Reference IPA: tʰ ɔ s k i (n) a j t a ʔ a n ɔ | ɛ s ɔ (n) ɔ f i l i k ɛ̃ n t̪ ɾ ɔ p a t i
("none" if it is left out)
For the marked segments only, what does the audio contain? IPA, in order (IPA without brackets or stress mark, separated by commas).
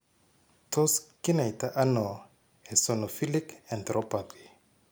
n, n